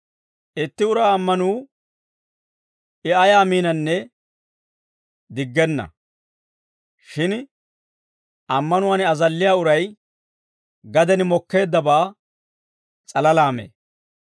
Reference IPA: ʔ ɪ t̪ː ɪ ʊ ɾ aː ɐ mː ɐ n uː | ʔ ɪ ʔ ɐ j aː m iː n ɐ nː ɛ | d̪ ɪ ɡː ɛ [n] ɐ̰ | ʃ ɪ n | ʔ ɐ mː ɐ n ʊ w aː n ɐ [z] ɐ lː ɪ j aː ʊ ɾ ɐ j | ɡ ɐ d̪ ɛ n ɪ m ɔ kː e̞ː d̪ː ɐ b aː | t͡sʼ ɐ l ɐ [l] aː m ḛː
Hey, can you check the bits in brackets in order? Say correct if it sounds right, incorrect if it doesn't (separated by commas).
incorrect, correct, correct